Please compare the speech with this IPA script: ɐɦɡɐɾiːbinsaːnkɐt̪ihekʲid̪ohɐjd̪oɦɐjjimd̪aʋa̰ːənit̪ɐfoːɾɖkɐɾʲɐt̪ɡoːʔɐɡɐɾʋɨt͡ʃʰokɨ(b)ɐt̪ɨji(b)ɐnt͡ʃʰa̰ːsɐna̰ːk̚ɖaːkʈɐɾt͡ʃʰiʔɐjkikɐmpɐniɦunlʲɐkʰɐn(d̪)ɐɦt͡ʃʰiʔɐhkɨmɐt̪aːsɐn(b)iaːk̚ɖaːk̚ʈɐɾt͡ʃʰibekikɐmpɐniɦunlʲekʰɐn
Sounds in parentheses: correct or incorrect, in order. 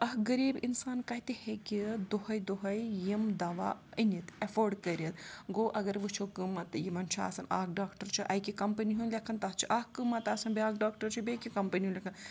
incorrect: m, incorrect: m, incorrect: t̪, correct

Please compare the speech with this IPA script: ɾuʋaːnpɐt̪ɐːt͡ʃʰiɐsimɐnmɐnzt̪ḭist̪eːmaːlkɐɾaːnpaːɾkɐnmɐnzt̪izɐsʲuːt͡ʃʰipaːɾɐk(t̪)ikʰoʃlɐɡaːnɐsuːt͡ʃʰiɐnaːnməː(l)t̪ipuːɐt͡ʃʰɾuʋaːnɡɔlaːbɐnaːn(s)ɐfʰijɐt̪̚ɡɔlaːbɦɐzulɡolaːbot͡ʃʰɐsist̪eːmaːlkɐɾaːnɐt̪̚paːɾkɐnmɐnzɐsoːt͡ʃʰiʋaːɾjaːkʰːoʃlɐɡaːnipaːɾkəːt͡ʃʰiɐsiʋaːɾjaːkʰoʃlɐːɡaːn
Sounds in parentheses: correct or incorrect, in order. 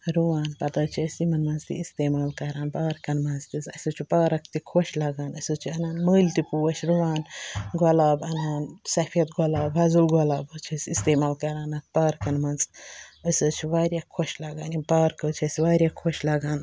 correct, correct, correct

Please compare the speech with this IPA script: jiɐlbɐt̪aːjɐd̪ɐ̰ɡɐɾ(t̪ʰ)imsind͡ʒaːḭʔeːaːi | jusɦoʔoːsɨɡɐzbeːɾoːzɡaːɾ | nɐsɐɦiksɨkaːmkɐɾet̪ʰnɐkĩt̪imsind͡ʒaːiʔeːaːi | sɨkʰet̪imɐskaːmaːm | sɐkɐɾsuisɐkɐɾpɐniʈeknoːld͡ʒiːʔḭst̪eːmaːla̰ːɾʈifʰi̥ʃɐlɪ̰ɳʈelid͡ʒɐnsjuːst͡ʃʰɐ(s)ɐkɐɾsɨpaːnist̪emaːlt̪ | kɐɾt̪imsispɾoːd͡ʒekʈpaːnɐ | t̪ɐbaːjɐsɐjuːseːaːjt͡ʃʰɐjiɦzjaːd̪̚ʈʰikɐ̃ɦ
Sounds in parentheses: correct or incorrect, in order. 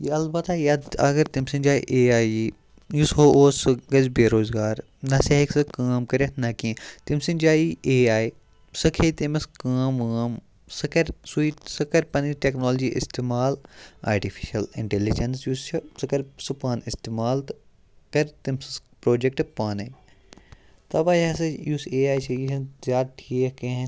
incorrect: t̪, correct

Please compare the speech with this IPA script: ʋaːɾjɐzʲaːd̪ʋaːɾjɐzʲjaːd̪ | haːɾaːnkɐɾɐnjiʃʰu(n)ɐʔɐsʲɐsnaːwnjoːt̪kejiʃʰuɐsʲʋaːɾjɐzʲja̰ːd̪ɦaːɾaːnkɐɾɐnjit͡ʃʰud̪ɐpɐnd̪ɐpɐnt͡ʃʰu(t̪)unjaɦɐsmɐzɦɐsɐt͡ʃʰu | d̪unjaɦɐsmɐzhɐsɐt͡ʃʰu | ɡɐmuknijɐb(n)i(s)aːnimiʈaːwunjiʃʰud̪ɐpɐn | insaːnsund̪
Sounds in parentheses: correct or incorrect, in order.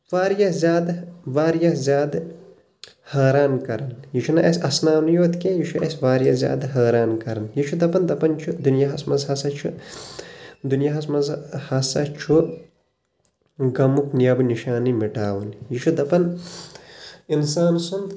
correct, incorrect: d̪, correct, incorrect: ʃ

